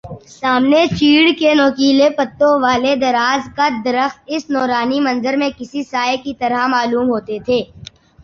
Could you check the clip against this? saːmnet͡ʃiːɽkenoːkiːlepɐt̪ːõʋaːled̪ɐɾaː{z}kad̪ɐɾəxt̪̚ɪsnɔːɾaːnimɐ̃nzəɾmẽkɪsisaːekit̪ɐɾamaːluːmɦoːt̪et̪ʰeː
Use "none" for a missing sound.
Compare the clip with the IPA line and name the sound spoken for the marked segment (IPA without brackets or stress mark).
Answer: z